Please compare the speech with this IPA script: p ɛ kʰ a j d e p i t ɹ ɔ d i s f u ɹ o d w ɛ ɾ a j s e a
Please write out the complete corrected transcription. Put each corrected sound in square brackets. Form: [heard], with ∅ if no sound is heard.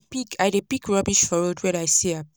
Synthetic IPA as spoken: p [i] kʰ a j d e p i [k] ɹ ɔ [b] i [ʃ] f [ɔ] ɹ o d w ɛ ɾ a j s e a